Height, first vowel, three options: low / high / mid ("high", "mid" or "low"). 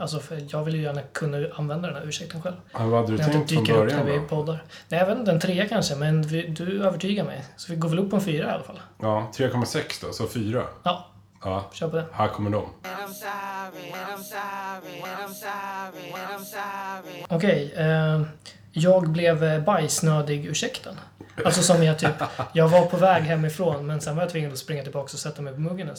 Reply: low